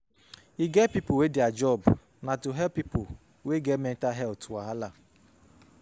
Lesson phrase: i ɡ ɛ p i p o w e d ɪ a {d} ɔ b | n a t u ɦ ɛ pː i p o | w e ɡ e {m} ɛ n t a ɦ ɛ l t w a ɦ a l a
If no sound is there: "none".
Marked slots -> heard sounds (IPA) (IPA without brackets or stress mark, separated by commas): d͡ʒ, m